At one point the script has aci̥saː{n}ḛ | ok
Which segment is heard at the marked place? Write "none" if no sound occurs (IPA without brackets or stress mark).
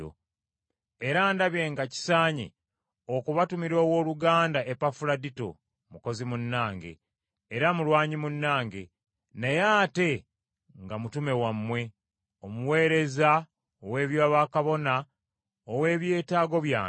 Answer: ɲ